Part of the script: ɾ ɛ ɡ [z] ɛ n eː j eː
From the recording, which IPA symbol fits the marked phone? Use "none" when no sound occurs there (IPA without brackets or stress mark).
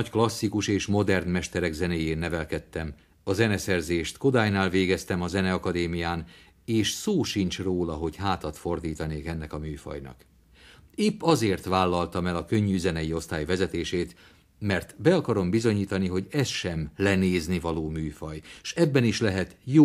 z